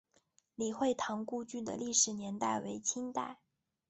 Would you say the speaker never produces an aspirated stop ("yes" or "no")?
no